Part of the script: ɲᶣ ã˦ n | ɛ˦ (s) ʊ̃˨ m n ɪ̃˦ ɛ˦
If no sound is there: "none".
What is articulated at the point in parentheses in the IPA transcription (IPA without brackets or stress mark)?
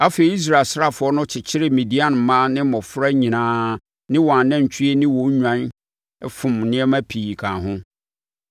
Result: f